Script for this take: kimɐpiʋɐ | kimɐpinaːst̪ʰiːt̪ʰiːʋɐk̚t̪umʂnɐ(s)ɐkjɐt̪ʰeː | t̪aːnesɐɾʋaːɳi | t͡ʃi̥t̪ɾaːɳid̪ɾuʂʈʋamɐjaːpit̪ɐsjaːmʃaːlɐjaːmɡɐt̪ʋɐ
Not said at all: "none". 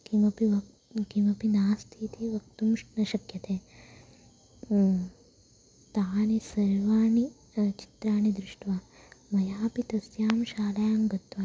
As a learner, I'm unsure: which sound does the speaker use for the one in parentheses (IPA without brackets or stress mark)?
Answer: ʃ